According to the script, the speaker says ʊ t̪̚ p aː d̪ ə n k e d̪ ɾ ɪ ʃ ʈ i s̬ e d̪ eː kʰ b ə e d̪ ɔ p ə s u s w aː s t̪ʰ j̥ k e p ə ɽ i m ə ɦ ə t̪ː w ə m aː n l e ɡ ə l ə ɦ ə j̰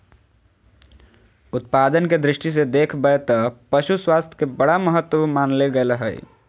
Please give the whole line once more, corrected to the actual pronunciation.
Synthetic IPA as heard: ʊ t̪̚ p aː d̪ ə n k e d̪ ɾ ɪ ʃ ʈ i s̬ e d̪ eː kʰ b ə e t̪ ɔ p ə ʃ u s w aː s t̪ʰ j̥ k e b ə ɽ a m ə ɦ ə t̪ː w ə m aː n l e ɡ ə l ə ɦ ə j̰

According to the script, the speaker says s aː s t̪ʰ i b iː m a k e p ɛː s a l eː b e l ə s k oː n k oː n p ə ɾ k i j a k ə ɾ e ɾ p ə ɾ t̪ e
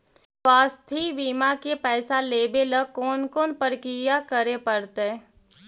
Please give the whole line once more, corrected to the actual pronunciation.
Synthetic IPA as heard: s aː s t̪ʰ i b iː m a k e p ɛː s a l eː b e l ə k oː n k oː n p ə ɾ k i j a k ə ɾ e p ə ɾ t̪ e

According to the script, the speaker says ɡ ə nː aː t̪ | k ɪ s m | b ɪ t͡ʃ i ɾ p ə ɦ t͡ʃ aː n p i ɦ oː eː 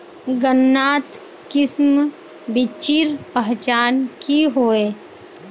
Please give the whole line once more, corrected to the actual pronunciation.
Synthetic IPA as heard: ɡ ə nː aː t̪ | k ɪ s m | b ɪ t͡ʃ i ɾ p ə ɦ t͡ʃ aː n k i ɦ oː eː

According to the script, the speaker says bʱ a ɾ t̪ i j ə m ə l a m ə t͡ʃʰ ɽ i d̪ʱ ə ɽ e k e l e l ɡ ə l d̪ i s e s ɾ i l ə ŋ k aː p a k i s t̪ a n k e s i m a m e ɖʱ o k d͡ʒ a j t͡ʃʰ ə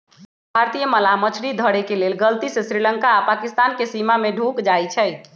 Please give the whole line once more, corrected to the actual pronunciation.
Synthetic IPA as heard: bʱ a ɾ t̪ i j ə m ə l a m ə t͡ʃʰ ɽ i d̪ʱ ə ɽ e k e l e l ɡ ə l t̪ i s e s ɾ i l ə ŋ k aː p a k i s t̪ a n k e s i m a m e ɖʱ u k d͡ʒ a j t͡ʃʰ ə

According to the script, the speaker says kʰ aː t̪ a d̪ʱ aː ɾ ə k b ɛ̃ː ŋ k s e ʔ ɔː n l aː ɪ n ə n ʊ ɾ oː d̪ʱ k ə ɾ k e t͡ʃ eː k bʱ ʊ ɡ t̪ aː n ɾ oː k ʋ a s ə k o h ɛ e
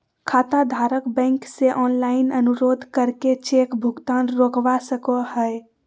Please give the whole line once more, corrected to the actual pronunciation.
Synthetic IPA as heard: kʰ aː t̪ a d̪ʱ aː ɾ ə k b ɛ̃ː ŋ k s e ʔ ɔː n l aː ɪ n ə n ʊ ɾ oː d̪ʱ k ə ɾ k e t͡ʃ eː k bʱ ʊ ɡ t̪ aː n ɾ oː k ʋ a s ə k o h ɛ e

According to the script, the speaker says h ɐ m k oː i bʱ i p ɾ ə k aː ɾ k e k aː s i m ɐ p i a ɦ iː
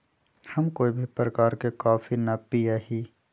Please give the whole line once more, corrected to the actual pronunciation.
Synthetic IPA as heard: h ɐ m k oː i bʱ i p ɾ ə k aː ɾ k e k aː f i n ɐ p i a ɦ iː

